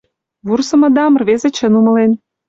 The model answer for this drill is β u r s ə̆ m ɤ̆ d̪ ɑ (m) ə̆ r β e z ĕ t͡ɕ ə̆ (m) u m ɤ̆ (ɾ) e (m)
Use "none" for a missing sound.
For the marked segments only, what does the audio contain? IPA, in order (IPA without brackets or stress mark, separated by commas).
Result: m, n, l, n